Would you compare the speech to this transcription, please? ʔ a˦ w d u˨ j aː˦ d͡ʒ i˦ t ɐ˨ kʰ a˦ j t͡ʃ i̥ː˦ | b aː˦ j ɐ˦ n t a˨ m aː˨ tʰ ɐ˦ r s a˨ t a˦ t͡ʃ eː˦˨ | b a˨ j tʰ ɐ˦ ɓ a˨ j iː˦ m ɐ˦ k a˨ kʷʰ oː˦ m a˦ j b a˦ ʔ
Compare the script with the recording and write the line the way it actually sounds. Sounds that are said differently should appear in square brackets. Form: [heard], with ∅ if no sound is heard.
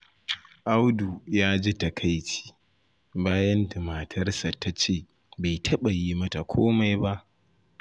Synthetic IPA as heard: ʔ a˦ w d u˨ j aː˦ d͡ʒ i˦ t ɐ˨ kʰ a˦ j t͡ʃ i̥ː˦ | b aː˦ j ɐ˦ n [d] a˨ m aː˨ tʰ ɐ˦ r s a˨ t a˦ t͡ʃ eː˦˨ | b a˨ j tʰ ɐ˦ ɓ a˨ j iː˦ m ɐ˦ [t] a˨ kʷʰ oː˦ m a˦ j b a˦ ʔ